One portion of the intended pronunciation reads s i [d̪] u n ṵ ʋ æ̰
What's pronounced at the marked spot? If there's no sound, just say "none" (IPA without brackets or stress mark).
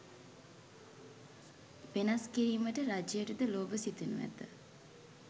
t̪